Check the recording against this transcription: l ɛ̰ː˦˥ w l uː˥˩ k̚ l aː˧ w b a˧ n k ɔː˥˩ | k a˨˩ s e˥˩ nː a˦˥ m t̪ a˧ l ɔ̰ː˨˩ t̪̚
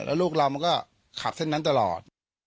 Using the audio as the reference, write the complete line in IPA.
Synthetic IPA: l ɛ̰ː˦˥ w l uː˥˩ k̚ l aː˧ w m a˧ n k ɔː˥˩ | kʰ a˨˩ s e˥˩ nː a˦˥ n t̪ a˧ l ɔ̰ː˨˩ t̪̚